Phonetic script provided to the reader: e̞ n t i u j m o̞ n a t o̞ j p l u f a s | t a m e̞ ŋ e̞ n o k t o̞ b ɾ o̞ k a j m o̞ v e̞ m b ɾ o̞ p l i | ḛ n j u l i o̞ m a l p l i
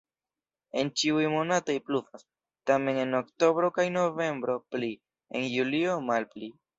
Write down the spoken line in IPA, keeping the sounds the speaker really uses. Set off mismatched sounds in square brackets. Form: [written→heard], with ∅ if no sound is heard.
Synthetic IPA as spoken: e̞ n [t→t͡ʃ] i u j m o̞ n a t o̞ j p l u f a s | t a m e̞ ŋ e̞ n o k t o̞ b ɾ o̞ k a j [m→n] o̞ v e̞ m b ɾ o̞ p l i | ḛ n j u l i o̞ m a l p l i

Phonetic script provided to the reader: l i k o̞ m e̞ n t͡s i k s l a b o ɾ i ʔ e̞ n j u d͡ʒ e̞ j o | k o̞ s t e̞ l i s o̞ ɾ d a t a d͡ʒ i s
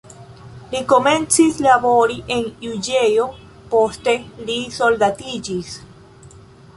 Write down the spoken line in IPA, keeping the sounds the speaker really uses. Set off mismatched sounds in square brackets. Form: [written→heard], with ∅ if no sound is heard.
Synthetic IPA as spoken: l i k o̞ m e̞ n t͡s i [k→∅] s l a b o ɾ i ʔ e̞ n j u d͡ʒ e̞ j o | [k→p] o̞ s t e̞ l i s o̞ [ɾ→l] d a t [a→i] d͡ʒ i s

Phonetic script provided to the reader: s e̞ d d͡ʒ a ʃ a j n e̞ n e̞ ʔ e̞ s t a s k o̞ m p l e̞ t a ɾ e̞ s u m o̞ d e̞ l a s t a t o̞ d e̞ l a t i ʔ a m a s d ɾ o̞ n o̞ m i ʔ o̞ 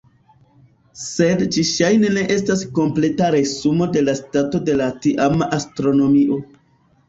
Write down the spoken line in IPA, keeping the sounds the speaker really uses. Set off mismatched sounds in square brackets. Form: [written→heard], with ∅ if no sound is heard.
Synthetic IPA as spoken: s e̞ d d͡ʒ [a→i] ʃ a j n e̞ n e̞ ʔ e̞ s t a s k o̞ m p l e̞ t a ɾ e̞ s u m o̞ d e̞ l a s t a t o̞ d e̞ l a t i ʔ a m a s [d→t] ɾ o̞ n o̞ m i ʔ o̞

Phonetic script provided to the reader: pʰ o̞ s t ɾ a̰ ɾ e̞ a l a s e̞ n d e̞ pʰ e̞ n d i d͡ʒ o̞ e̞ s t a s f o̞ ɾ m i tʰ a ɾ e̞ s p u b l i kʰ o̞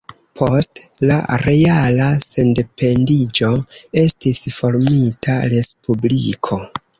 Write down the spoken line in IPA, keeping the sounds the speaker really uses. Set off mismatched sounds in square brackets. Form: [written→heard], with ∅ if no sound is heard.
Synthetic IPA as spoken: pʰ o̞ s t [ɾ→l] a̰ ɾ e̞ a l a s e̞ n d e̞ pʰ e̞ n d i d͡ʒ o̞ e̞ s t [a→i] s f o̞ ɾ m i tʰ a ɾ e̞ s p u b l i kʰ o̞

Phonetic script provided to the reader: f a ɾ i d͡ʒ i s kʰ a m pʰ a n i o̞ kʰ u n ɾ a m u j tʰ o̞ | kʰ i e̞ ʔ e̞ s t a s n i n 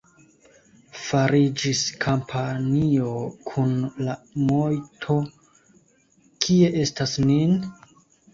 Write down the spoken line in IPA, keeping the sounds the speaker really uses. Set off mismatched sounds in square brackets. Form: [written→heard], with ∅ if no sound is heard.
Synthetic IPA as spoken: f a ɾ i d͡ʒ i s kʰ a m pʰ a n i o̞ kʰ u n [ɾ→l] a m [u→o] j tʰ o̞ | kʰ i e̞ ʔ e̞ s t a s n i n

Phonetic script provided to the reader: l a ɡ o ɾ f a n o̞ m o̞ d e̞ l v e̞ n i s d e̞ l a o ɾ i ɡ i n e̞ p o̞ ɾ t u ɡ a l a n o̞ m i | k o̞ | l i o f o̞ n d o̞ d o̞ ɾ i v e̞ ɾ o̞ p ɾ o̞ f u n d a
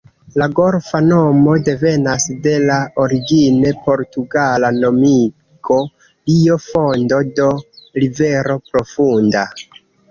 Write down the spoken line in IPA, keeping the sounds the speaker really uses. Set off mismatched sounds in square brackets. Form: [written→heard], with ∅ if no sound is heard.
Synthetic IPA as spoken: l a ɡ o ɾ f a n o̞ m o̞ d e̞ [l→∅] v e̞ n [i→a] s d e̞ l a o ɾ i ɡ i n e̞ p o̞ ɾ t u ɡ a l a n o̞ m i | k o̞ | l i o f o̞ n d o̞ d o̞ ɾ i v e̞ ɾ o̞ p ɾ o̞ f u n d a

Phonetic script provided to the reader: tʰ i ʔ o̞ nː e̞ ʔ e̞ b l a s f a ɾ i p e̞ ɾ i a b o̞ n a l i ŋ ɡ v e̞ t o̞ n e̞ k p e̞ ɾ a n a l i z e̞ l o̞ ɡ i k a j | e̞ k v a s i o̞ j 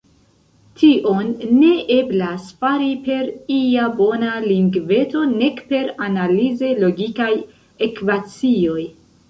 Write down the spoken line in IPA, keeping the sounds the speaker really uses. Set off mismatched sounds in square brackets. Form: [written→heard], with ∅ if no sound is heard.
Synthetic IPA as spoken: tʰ i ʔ o̞ nː e̞ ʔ e̞ b l a s f a ɾ i p e̞ ɾ i a b o̞ n a l i ŋ ɡ v e̞ t o̞ n e̞ k p e̞ ɾ a n a l i z e̞ l o̞ ɡ i k a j | e̞ k v a [s→t͡s] i o̞ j

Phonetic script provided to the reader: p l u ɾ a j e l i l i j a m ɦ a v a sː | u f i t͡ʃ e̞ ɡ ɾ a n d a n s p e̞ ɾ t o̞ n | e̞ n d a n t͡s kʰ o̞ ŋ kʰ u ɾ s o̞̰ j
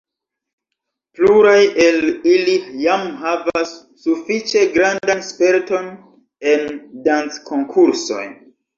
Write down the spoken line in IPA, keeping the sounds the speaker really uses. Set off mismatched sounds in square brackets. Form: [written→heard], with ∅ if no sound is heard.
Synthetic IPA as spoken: p l u ɾ a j e l i l i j a m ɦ a v a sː | u f i t͡ʃ e̞ ɡ ɾ a n d a n s p e̞ ɾ t o̞ n | e̞ n d a n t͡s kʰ o̞ ŋ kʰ u ɾ s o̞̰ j

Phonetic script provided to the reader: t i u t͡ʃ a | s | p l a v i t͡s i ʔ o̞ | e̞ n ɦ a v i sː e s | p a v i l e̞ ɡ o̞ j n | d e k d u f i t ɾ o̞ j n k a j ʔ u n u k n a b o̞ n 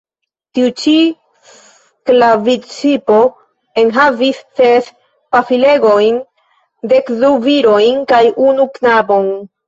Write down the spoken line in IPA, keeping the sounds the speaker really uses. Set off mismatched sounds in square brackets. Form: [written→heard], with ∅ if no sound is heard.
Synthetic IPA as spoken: t i u t͡ʃ [a→i] | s | [p→k] l a v i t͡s i [ʔ→p] o̞ | e̞ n ɦ a v i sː e s | p a [v→f] i l e̞ ɡ o̞ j n | d e k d u [f→v] i [t→∅] ɾ o̞ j n k a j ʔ u n u k n a b o̞ n

